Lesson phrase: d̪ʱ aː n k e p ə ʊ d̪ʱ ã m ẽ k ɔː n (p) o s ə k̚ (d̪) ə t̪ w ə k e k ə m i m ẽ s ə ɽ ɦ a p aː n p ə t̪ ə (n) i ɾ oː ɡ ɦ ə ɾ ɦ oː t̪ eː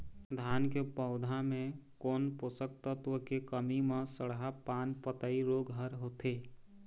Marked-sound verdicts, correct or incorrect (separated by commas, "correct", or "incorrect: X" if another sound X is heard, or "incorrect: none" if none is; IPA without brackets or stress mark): correct, incorrect: t̪, incorrect: none